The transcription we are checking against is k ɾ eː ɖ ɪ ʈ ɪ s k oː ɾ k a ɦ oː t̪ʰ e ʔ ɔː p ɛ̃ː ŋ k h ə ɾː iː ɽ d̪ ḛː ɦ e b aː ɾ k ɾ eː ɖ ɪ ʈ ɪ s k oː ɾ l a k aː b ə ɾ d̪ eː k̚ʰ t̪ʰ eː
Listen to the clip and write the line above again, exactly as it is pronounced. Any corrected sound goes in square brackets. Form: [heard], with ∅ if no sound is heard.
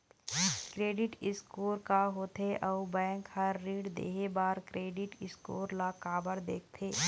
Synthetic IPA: k ɾ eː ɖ ɪ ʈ ɪ s k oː ɾ k a ɦ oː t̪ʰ e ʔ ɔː [b] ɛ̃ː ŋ k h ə ɾː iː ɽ d̪ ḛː ɦ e b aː ɾ k ɾ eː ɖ ɪ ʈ ɪ s k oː ɾ l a k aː b ə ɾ d̪ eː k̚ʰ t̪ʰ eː